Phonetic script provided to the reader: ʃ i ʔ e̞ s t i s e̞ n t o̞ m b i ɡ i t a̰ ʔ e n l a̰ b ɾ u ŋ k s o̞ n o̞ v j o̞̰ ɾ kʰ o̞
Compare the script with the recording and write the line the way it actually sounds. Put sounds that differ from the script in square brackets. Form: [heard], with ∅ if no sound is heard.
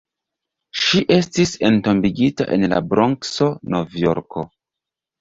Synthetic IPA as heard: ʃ i ʔ e̞ s t i s e̞ n t o̞ m b i ɡ i t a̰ ʔ e n l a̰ b ɾ [o] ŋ k s o̞ n o̞ v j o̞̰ ɾ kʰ o̞